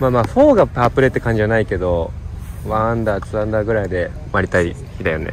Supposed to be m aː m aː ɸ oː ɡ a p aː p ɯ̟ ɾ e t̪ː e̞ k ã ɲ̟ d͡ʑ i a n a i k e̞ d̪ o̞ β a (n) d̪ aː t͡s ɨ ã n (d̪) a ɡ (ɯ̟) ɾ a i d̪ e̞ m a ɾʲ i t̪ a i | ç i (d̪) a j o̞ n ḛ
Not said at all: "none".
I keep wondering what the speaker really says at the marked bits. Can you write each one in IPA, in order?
n, d̪, ɯ̟, d̪

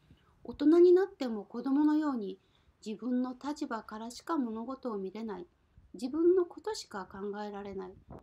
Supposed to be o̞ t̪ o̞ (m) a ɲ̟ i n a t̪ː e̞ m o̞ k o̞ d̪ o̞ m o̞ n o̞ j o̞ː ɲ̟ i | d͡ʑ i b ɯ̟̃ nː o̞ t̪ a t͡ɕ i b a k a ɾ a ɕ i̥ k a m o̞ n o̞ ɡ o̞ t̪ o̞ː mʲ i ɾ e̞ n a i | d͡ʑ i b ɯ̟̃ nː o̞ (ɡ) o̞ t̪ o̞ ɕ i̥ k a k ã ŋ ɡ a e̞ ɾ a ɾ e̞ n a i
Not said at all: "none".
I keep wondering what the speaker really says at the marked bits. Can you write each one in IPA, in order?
n, k

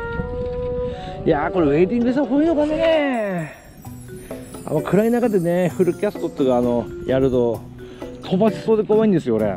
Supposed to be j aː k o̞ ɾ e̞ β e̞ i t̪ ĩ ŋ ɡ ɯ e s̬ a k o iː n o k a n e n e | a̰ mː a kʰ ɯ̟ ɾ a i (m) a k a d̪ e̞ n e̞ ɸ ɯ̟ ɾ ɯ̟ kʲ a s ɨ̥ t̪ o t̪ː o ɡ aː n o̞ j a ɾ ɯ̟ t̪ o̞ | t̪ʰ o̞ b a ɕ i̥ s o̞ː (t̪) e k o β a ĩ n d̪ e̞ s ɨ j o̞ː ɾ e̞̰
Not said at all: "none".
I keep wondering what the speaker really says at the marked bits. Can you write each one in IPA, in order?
n, d̪

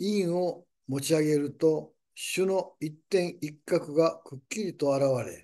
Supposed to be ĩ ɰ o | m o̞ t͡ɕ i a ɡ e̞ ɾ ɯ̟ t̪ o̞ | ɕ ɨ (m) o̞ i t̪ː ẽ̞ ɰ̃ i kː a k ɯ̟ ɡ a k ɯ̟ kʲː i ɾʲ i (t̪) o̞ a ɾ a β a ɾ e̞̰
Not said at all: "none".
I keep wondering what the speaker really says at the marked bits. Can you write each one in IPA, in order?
n, t̪

